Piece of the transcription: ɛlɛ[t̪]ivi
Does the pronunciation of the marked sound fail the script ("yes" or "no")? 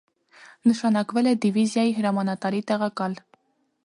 yes